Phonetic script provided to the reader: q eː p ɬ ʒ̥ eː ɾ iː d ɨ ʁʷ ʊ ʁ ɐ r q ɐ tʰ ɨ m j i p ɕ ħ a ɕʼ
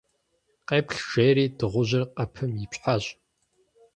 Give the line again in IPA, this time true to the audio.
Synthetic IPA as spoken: q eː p ɬ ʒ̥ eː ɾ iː d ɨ ʁʷ ʊ ʑ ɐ r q ɐ pʰ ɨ m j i p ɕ ħ a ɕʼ